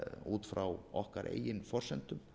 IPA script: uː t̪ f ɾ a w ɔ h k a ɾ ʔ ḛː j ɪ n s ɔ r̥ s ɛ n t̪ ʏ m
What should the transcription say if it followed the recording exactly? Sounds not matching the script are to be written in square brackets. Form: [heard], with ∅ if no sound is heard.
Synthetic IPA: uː t̪ f ɾ a w ɔ h k a ɾ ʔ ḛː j ɪ n [f] ɔ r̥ s ɛ n t̪ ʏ m